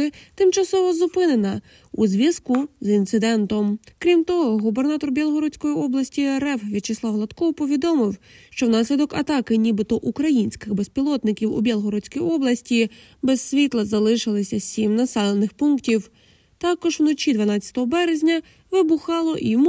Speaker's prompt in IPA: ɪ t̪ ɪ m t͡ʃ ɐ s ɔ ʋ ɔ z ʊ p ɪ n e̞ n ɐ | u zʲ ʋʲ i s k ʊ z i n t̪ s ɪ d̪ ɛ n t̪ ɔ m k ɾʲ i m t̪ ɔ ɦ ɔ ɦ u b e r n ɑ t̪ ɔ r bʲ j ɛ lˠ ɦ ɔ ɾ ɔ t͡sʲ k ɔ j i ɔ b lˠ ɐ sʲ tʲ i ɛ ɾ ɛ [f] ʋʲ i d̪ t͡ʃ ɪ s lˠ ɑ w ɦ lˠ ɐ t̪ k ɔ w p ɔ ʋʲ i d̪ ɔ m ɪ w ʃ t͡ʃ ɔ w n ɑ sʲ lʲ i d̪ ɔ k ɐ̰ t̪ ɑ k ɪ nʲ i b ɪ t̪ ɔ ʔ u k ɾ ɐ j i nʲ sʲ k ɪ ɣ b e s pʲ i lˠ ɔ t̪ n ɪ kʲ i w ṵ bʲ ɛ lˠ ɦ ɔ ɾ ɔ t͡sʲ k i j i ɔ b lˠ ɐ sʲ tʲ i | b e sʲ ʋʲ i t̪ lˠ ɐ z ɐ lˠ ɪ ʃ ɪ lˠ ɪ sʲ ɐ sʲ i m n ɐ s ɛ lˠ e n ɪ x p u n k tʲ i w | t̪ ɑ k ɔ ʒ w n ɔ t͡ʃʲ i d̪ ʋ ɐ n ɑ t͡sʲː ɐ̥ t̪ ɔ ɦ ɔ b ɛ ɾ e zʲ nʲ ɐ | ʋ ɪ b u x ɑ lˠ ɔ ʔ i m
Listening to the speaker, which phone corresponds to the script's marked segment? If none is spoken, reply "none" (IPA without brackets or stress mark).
f